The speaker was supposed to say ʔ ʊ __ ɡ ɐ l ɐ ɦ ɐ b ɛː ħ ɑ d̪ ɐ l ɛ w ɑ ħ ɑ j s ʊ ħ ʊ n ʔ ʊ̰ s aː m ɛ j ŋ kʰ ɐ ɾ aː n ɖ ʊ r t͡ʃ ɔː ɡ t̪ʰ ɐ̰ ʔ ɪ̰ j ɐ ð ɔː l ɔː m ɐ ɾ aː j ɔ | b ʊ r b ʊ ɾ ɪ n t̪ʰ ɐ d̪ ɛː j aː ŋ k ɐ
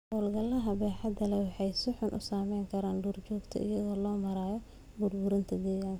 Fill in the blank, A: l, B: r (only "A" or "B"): A